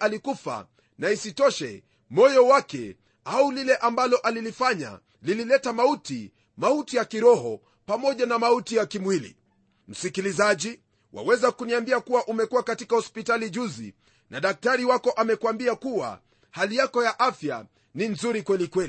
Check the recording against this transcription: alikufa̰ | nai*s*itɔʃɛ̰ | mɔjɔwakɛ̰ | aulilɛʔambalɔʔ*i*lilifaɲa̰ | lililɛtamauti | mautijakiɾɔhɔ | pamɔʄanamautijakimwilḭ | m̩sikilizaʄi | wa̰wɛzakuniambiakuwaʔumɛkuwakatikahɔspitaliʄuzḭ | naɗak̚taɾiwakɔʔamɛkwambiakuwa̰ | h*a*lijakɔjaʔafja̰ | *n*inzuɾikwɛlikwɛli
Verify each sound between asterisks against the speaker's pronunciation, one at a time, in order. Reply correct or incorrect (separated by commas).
correct, incorrect, correct, correct